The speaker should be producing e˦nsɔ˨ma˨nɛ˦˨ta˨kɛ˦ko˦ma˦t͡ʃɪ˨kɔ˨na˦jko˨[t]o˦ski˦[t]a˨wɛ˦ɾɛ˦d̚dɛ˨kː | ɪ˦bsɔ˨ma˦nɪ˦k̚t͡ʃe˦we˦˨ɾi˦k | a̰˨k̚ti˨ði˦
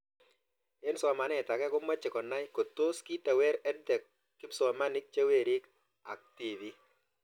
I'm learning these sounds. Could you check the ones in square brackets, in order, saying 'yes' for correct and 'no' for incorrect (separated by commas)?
yes, yes